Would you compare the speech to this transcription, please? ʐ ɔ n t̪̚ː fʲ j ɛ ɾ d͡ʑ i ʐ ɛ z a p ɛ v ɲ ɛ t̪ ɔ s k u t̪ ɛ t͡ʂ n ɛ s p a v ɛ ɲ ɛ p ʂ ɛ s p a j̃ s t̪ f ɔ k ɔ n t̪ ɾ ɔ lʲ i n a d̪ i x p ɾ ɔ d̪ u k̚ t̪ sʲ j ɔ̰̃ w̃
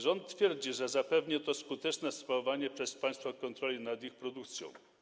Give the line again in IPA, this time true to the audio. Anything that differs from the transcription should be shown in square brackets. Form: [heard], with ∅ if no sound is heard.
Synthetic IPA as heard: ʐ ɔ n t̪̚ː fʲ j ɛ ɾ d͡ʑ i ʐ ɛ z a p ɛ v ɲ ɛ t̪ ɔ s k u t̪ ɛ t͡ʂ n ɛ s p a v [a] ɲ ɛ p ʂ ɛ s p a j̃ s t̪ f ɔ k ɔ n t̪ ɾ ɔ lʲ i n a d̪ i x p ɾ ɔ d̪ u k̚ t̪ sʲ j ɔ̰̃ w̃